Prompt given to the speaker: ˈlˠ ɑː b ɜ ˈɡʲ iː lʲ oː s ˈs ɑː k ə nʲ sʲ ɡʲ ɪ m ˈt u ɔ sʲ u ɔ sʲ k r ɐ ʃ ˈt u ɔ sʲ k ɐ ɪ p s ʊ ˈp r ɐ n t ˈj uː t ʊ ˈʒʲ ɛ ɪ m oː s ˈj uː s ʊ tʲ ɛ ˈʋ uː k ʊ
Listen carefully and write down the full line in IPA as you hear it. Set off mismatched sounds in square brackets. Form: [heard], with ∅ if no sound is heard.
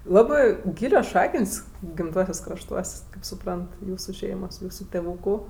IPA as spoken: ˈlˠ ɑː b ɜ ˈɡʲ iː lʲ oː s [ˈʃ] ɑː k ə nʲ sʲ ɡʲ ɪ m ˈt u ɔ sʲ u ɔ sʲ k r ɐ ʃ ˈt u ɔ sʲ k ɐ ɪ p s ʊ ˈp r ɐ n t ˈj uː [s] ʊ [ˈʃʲ] ɛ ɪ m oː s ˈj uː s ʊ tʲ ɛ ˈʋ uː k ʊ